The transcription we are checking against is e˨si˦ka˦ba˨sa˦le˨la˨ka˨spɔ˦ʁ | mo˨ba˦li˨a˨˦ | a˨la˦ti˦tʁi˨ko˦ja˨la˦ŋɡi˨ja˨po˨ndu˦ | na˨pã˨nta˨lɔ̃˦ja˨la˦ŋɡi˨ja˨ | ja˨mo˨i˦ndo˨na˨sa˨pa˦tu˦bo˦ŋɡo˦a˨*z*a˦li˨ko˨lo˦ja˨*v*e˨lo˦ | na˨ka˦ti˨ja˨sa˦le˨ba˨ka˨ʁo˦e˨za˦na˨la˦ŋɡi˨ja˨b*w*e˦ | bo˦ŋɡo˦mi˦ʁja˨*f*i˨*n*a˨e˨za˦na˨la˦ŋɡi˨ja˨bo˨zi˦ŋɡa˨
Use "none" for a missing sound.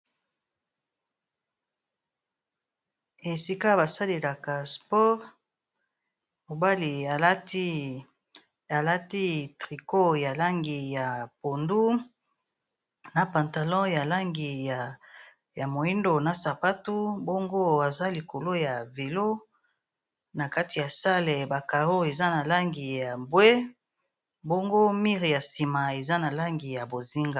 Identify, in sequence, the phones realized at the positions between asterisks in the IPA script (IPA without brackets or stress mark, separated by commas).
z, v, w, s, m